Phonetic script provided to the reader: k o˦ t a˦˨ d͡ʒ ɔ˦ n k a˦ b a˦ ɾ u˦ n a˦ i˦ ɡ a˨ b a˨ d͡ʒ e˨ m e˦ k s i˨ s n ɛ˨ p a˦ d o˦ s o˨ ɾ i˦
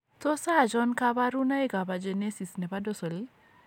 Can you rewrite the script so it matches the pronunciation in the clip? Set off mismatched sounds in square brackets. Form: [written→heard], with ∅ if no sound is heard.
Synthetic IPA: [k→t] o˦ [t→s] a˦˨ d͡ʒ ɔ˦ n k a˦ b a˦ ɾ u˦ n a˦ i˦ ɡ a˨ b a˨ d͡ʒ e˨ [m→n] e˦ [k→∅] s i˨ s n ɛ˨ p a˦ d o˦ s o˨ [ɾ→l] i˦